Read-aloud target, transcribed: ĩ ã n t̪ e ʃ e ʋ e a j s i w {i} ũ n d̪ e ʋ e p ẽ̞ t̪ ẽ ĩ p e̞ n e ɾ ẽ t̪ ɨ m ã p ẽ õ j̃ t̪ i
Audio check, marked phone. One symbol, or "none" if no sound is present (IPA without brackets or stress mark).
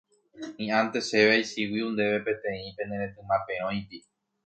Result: i